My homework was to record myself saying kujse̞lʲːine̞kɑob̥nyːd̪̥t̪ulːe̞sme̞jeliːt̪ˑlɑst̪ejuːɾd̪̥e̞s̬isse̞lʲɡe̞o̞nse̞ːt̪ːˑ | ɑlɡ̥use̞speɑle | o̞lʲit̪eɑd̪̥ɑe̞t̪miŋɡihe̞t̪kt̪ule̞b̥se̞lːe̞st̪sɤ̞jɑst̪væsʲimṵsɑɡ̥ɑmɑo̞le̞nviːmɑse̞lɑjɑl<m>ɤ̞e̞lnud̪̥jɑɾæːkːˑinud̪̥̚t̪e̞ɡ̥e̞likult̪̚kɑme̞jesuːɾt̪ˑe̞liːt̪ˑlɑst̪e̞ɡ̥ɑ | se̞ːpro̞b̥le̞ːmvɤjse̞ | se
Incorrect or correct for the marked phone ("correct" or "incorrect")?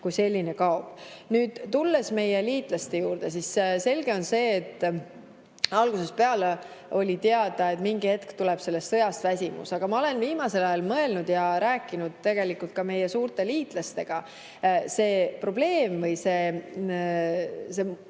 correct